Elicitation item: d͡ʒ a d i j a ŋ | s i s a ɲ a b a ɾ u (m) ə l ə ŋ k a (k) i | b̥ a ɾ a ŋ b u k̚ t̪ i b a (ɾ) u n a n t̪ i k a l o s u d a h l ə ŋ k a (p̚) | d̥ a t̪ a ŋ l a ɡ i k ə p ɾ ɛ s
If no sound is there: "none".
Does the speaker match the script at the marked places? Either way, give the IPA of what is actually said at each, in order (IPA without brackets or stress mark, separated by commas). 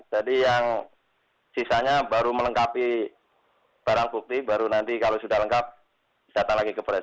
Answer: m, p, ɾ, p̚